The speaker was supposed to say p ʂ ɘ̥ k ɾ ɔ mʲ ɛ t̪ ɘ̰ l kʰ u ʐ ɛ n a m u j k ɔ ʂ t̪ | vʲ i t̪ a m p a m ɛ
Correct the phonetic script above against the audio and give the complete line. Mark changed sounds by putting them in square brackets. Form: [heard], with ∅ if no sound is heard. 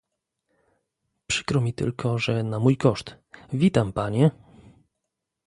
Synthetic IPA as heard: p ʂ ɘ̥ k ɾ ɔ mʲ [i] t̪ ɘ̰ l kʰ [ɔ] ʐ ɛ n a m u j k ɔ ʂ t̪ | vʲ i t̪ a m p a [ɲ] ɛ